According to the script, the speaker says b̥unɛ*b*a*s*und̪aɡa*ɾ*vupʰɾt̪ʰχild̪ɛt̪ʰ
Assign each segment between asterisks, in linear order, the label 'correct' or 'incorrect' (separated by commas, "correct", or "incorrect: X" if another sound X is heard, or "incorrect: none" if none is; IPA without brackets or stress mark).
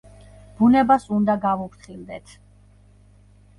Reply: correct, correct, incorrect: none